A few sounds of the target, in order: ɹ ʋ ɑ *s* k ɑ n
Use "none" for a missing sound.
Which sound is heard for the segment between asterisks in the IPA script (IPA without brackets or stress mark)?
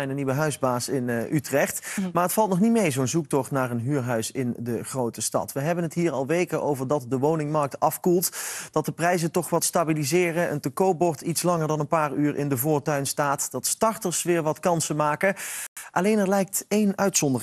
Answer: t